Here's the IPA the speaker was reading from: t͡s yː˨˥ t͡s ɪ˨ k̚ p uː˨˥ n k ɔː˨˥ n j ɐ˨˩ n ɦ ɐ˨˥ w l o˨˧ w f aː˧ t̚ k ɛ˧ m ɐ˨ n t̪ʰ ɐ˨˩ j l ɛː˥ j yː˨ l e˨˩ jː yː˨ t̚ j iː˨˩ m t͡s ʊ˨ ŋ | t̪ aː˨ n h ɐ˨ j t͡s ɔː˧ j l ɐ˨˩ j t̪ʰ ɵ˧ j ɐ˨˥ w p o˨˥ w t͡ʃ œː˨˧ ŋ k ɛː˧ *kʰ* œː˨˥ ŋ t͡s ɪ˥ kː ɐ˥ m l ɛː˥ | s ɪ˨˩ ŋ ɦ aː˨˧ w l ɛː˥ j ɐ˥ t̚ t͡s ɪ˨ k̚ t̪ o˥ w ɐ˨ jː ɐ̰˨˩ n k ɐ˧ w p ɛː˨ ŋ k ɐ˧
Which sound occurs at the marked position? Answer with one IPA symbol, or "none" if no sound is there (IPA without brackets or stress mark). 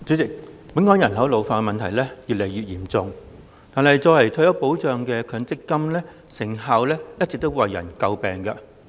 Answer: kʰ